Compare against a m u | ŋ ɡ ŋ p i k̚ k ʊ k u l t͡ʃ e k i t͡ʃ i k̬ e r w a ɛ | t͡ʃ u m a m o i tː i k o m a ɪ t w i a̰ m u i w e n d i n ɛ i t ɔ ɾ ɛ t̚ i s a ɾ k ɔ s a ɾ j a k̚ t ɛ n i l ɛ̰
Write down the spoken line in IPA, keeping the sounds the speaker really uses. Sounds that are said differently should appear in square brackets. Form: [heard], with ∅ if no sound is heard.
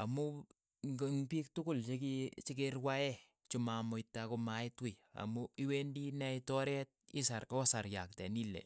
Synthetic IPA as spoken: a m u | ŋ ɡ ŋ p i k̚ [t] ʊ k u l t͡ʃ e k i t͡ʃ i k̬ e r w a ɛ | t͡ʃ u m a m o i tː [a] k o m a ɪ t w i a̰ m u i w e n d i n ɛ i t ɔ ɾ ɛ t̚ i s a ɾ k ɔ s a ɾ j a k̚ t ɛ n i l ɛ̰